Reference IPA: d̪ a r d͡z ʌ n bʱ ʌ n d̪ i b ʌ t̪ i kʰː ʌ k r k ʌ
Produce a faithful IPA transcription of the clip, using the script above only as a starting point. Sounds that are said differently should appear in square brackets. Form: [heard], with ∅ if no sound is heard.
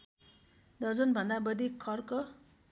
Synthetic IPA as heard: d̪ [ʌ] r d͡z ʌ n bʱ ʌ n d̪ [a] b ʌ [d̪] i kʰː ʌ [∅] r k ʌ

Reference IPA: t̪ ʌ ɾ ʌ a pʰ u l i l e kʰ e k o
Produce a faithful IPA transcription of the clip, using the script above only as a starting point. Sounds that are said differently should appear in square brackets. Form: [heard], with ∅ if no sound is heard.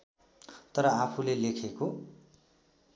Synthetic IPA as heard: t̪ ʌ ɾ ʌ a pʰ u l [e] l e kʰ e k o

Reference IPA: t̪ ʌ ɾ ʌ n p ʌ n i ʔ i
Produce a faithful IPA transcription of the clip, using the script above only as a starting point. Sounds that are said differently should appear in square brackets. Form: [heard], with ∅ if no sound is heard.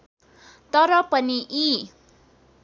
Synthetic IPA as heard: t̪ ʌ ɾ ʌ [∅] p ʌ n i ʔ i

